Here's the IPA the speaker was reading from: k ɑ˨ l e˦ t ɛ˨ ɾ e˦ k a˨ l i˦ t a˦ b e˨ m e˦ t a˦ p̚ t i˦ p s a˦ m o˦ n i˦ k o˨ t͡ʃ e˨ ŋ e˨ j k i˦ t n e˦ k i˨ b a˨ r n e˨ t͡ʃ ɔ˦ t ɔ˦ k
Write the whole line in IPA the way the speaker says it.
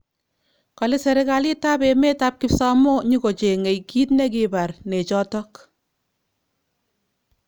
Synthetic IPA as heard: k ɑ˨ l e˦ s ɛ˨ ɾ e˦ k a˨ l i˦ t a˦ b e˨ m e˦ t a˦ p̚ k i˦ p s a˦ m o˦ ɲ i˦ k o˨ t͡ʃ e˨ ŋ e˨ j k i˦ t n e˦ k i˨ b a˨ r n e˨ t͡ʃ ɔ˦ t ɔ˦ k